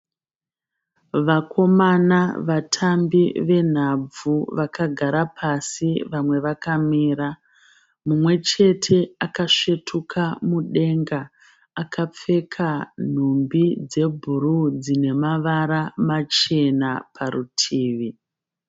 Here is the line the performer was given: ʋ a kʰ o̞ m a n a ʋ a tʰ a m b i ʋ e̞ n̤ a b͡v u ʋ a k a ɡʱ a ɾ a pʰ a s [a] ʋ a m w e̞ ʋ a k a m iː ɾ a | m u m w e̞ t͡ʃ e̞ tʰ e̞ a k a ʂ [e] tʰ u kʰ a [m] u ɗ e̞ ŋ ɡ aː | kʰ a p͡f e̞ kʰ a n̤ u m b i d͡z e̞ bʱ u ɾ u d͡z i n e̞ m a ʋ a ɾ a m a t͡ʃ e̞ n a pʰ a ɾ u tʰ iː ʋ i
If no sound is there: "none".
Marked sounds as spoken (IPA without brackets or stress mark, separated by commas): i, e, m